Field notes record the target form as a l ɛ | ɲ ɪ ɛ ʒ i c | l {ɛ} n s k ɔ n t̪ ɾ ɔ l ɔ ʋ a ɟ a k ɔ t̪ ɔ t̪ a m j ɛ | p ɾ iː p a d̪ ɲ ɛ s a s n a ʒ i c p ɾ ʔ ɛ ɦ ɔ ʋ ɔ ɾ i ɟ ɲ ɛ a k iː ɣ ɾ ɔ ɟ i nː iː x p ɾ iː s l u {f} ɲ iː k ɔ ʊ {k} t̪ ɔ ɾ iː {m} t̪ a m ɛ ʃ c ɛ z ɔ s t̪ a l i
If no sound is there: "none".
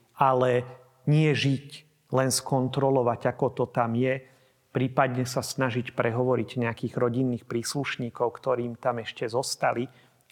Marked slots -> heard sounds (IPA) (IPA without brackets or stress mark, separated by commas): ɛ, ʃ, k, m